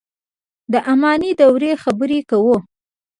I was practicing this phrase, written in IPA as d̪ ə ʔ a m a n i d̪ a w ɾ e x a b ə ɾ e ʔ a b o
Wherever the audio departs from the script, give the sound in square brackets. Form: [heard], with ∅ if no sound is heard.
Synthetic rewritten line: d̪ ə ʔ a m [ɑ] n i d̪ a w ɾ e x a b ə ɾ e [k] a [w] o